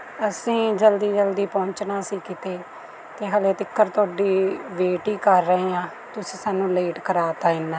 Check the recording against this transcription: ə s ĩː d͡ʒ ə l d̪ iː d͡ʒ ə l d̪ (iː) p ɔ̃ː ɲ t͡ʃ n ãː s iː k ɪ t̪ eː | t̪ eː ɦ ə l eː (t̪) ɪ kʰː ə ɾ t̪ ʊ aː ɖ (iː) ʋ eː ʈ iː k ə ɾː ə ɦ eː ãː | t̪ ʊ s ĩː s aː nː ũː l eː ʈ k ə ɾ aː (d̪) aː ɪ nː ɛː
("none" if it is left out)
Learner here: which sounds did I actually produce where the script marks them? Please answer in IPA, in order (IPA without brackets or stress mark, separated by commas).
iː, t̪, iː, t̪